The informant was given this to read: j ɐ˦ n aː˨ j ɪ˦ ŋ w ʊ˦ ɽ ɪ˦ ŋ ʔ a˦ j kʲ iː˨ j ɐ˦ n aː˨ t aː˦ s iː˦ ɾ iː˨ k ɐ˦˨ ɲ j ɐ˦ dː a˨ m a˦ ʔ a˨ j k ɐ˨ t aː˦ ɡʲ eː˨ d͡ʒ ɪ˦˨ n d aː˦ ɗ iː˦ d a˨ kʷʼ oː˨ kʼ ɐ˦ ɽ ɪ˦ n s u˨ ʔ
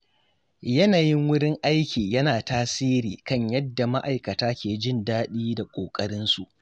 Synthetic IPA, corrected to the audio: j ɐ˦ n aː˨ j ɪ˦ ŋ w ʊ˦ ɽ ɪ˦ ŋ ʔ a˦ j kʲ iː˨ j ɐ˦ n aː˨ t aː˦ s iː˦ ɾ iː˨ k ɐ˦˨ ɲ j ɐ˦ dː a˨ m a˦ ʔ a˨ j k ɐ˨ t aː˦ kʲ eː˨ d͡ʒ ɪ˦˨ n d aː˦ ɗ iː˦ d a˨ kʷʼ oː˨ kʼ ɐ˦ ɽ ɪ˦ n s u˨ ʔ